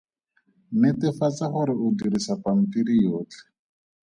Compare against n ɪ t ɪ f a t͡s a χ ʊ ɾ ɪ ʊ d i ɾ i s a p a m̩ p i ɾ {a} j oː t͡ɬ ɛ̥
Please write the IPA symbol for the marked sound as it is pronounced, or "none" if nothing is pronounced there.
i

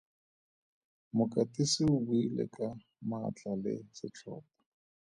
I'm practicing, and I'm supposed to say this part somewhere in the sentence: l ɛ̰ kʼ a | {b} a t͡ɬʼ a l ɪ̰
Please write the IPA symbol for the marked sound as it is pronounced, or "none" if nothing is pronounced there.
m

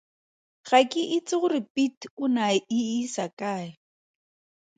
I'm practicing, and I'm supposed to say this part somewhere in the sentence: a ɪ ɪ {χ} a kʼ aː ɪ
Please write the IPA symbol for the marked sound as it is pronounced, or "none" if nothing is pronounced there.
s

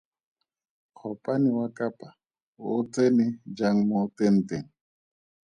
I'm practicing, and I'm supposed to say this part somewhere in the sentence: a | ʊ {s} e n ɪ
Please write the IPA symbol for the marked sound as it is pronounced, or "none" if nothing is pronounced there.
t͡s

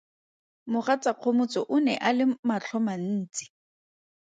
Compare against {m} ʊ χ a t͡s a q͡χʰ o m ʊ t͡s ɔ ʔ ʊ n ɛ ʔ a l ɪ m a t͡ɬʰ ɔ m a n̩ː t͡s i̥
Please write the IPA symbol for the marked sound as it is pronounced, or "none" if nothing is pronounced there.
m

